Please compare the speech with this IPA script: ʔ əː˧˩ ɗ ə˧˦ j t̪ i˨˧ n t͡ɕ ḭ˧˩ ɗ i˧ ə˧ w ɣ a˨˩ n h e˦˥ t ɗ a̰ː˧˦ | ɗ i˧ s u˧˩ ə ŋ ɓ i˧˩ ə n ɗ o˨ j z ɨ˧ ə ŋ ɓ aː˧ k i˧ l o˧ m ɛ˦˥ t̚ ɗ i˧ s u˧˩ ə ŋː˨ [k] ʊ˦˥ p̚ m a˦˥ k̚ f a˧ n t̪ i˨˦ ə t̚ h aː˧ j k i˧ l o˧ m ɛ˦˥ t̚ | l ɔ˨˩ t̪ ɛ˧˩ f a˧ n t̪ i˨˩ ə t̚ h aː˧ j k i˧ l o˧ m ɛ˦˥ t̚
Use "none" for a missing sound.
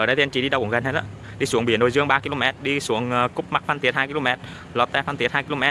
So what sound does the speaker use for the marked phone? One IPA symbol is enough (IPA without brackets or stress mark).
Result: k